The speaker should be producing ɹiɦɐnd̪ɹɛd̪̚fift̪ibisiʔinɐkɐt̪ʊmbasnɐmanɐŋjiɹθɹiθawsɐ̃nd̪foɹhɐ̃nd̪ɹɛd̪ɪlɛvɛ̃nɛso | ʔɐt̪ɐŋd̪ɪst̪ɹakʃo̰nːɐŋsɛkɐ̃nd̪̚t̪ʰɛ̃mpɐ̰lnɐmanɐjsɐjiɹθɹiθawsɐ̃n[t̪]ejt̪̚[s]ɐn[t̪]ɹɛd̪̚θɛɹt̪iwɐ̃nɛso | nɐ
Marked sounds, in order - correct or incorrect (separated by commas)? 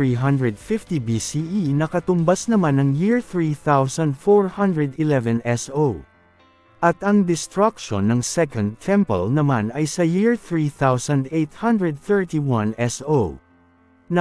incorrect, incorrect, incorrect